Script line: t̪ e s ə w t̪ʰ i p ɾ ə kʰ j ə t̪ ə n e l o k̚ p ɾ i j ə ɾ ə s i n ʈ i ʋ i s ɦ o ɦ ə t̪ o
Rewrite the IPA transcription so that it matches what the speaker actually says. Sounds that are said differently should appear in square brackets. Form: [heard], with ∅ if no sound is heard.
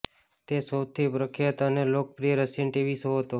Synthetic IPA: t̪ e s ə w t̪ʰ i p ɾ ə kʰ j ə t̪ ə n e l o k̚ p ɾ i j ə ɾ ə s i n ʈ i ʋ i s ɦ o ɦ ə t̪ o